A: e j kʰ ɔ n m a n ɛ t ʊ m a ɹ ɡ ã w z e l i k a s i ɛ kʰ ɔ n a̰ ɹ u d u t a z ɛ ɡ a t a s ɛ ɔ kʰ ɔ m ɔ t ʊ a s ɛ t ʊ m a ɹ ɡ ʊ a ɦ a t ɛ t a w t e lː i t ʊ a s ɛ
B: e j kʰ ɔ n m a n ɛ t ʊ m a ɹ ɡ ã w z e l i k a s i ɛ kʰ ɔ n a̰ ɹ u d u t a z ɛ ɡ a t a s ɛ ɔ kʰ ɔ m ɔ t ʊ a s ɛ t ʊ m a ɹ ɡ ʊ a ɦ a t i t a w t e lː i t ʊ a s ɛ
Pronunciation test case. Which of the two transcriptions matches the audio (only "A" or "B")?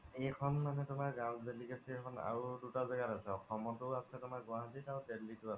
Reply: B